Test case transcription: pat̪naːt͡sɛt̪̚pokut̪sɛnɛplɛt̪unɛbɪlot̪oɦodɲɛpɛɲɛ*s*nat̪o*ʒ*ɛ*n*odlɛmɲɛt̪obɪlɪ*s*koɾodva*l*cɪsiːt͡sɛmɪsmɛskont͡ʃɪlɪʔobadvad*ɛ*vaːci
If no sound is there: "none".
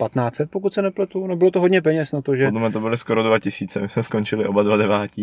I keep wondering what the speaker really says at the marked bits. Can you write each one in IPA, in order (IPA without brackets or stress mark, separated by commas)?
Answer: s, ʒ, none, s, none, ɛ